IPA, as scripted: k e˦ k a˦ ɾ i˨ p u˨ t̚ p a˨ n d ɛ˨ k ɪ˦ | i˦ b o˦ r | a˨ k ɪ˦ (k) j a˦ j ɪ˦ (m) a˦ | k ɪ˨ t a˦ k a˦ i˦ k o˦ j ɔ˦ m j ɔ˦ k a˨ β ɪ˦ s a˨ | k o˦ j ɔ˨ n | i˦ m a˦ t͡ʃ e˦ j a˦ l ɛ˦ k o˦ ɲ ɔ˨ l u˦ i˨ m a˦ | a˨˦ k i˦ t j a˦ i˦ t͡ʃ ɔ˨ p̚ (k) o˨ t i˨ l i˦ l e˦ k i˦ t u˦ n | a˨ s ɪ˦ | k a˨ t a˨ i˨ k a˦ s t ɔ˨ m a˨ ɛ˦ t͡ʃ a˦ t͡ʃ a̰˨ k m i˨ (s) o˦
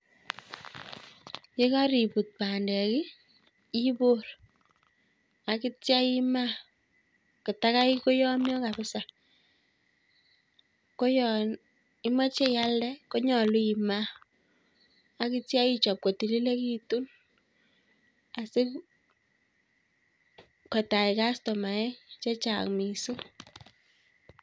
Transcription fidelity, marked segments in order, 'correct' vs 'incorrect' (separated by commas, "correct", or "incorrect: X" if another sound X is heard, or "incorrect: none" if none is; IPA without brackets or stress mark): incorrect: t, correct, correct, correct